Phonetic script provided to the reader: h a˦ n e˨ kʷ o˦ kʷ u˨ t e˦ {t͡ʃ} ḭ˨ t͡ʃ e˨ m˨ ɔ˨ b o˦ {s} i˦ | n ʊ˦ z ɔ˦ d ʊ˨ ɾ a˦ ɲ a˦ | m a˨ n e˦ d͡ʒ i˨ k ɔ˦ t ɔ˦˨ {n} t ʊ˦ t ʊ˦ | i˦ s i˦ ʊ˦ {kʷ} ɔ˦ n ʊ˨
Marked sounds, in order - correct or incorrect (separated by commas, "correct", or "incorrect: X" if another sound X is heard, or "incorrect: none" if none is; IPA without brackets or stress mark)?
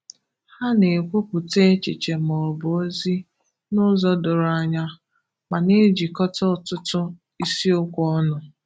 correct, incorrect: z, incorrect: none, correct